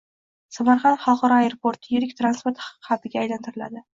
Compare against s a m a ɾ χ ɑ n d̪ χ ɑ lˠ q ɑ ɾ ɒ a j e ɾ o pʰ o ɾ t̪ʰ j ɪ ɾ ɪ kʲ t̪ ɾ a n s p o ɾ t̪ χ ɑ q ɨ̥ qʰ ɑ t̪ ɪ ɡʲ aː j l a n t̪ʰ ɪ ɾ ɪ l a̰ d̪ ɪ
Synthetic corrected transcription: s a m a ɾ χ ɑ n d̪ χ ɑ lˠ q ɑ ɾ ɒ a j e ɾ o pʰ o ɾ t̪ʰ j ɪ ɾ ɪ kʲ t̪ ɾ a n s p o ɾ t̪ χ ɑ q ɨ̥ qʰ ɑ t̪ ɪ ɡʲ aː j l a n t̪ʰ ɪ ɾ ɪ l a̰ d̪ ɪ